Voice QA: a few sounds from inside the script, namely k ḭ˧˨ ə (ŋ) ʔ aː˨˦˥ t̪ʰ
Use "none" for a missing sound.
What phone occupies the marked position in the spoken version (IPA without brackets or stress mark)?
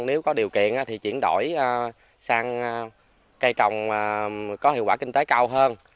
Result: n